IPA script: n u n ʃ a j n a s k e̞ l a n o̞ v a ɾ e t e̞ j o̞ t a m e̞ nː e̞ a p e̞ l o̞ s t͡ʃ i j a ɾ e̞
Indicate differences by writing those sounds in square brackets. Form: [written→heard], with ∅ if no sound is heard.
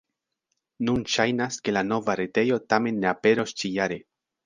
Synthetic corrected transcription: n u n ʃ a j n a s k e̞ l a n o̞ v a ɾ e t e̞ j o̞ t a m e̞ nː e̞ a p e̞ [l→ɾ] o̞ s t͡ʃ i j a ɾ e̞